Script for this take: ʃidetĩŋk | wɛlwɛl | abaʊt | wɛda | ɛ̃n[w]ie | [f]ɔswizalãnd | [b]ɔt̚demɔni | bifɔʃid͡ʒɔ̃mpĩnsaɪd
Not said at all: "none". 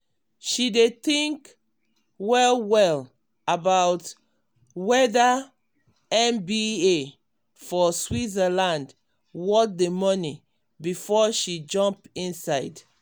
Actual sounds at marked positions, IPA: b, f, w

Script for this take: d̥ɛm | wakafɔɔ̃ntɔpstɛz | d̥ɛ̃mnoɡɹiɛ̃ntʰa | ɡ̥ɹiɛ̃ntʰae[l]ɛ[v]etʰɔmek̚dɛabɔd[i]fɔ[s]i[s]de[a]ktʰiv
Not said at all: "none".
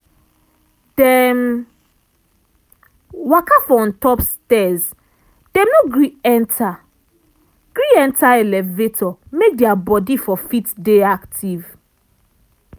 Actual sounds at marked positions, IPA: l, v, i, f, t, a

